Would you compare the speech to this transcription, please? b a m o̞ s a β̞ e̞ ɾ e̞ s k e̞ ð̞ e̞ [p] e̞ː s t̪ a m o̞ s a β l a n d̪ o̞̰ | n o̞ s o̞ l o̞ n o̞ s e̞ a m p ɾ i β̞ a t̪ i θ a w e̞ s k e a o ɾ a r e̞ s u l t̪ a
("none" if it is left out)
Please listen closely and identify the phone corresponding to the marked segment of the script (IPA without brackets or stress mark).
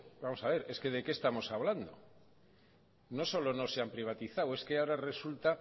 k